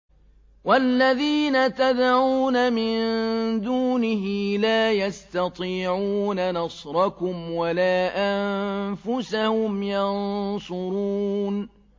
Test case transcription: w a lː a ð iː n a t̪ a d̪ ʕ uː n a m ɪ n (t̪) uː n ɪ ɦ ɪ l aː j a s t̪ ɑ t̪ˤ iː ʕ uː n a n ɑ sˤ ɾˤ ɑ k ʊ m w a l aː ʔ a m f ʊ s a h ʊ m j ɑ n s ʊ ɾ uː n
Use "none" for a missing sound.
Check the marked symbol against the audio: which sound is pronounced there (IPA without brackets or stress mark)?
d̪